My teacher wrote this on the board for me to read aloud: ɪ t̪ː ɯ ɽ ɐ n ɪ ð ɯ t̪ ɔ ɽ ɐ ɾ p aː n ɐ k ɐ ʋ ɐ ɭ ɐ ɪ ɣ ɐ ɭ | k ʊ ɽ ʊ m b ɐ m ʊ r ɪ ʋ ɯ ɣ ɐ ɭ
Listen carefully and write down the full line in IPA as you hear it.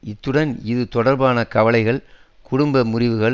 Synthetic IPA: ɪ t̪ː ɯ ɽ ɐ n ɪ ð ɯ t̪ ɔ ɽ ɐ ɾ b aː n ɐ k ɐ ʋ ɐ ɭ ɐ ɪ ɣ ɐ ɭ | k ʊ ɽ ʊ m b ɐ m ʊ r ɪ ʋ ɯ ɣ ɐ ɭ